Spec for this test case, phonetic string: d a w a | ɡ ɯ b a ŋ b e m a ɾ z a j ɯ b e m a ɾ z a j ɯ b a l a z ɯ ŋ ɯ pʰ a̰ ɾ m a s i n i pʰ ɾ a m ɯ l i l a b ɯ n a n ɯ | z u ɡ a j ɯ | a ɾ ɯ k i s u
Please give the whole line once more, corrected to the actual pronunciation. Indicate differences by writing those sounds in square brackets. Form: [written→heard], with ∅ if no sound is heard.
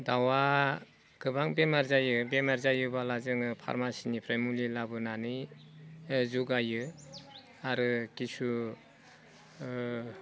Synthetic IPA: d a w a | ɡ ɯ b a ŋ b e m a ɾ z a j ɯ b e m a ɾ z a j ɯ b a l a z ɯ ŋ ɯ pʰ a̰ ɾ m a s i n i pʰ ɾ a m [ɯ→u] l i l a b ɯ n a n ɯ | z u ɡ a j ɯ | a ɾ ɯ k i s u